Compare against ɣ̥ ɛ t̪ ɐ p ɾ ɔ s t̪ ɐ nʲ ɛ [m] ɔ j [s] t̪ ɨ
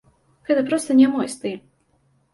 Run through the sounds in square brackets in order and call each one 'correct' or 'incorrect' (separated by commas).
correct, correct